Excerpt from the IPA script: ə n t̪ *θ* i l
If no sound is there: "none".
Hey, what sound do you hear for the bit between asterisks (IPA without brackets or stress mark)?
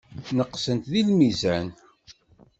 ð